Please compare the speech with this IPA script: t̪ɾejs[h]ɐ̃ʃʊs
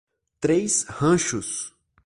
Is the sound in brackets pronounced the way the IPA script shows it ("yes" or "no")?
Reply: yes